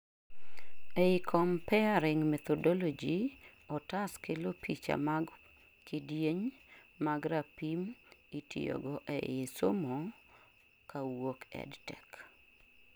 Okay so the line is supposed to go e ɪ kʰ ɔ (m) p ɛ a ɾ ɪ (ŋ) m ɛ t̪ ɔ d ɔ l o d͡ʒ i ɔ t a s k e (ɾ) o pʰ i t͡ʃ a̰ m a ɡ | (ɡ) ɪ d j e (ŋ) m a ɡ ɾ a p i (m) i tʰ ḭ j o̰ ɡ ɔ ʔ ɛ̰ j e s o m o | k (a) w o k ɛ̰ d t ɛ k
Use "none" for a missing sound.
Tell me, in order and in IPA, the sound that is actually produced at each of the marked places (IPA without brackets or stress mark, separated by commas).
m, ŋ, l, k, ɲ, m, a